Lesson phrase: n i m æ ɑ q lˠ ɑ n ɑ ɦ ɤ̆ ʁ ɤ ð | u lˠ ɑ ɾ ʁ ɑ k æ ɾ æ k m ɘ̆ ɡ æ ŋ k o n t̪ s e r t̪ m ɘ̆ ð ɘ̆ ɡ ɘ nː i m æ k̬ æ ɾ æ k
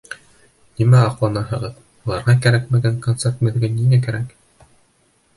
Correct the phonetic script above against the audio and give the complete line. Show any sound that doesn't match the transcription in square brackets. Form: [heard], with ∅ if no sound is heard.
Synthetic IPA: n i m æ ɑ q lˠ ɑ n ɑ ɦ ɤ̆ ʁ ɤ ð | u lˠ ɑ ɾ ʁ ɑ k æ ɾ æ k m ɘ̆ ɡ æ ŋ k o n t̪ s e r t̪ m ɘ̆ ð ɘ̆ ɡ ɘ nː i [ŋ] æ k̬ æ ɾ æ k